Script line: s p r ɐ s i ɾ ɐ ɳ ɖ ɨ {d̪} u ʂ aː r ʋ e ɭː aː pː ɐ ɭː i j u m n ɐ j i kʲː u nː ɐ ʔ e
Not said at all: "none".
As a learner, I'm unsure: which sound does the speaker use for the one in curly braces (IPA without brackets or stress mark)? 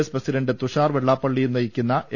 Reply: t̪